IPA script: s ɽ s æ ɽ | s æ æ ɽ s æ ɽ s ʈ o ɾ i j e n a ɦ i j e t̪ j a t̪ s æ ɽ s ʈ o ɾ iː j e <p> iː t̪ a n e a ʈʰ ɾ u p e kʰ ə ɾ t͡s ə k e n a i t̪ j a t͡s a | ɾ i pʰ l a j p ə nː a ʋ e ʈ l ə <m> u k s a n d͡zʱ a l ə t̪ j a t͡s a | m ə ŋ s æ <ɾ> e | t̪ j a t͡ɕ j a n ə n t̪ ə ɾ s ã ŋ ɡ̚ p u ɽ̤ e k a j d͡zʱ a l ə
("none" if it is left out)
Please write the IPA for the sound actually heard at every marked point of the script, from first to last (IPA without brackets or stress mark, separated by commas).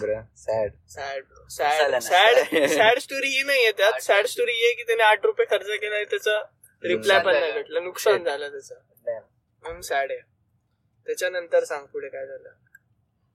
k, n, ɽ